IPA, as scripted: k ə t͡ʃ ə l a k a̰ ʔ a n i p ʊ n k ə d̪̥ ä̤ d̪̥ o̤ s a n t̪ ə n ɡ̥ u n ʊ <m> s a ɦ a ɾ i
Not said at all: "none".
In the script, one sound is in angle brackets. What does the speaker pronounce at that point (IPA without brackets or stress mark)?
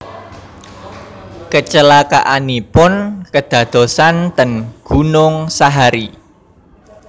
ŋ